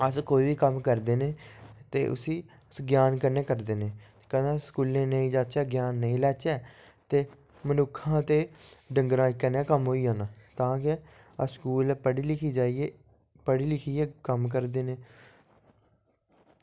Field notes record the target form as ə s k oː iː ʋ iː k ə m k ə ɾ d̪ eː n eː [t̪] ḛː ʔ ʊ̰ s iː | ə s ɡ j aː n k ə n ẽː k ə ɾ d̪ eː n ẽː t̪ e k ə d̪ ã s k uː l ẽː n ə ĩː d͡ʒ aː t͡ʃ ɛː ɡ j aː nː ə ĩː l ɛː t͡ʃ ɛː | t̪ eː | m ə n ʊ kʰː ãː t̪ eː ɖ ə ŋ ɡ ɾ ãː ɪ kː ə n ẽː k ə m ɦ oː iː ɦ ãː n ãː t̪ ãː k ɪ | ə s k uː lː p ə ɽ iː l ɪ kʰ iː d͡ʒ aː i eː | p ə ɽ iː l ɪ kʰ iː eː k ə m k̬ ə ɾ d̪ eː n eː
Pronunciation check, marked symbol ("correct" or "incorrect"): correct